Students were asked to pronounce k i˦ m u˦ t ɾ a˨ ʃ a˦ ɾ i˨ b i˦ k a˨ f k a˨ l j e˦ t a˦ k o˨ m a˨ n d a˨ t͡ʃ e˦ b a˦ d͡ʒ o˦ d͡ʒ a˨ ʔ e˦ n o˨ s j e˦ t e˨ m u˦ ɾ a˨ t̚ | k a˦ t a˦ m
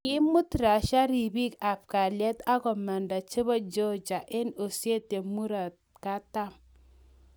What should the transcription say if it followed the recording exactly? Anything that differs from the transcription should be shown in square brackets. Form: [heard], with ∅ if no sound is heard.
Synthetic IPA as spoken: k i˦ m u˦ t ɾ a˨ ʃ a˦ ɾ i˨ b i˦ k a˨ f k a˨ l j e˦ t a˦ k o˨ m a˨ n d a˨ t͡ʃ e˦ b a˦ d͡ʒ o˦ d͡ʒ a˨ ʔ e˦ n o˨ s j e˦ t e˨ m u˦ ɾ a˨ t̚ | k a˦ t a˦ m